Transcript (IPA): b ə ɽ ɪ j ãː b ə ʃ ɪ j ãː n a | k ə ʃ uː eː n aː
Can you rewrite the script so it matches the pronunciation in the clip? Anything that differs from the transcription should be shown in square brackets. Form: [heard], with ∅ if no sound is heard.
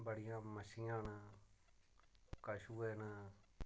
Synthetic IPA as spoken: b ə ɽ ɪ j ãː [m] ə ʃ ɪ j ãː n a | k ə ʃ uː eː n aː